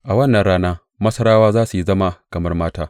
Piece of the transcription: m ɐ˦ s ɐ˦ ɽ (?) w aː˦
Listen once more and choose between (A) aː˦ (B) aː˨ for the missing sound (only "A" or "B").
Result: A